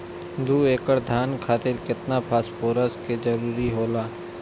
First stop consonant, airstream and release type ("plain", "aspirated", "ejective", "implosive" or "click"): plain